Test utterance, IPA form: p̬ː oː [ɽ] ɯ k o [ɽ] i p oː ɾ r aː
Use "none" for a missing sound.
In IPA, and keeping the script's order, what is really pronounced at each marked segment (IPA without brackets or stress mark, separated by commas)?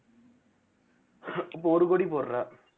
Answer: ɾ, ɽ